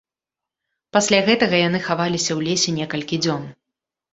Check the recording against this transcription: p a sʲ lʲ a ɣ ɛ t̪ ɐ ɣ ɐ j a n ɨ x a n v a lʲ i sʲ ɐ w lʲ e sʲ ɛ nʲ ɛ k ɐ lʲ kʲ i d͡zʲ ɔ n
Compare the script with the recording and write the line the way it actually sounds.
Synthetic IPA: p a sʲ lʲ a ɣ ɛ t̪ ɐ ɣ ɐ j a n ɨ x a v a lʲ i sʲ ɐ w lʲ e sʲ ɛ nʲ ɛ k ɐ lʲ kʲ i d͡zʲ ɔ n